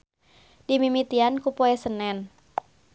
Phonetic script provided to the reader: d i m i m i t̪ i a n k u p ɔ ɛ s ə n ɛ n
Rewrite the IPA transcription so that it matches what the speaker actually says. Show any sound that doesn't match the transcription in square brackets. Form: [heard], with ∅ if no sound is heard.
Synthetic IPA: d i m i m i t̪ i a n k u p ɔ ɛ s ə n ɛ n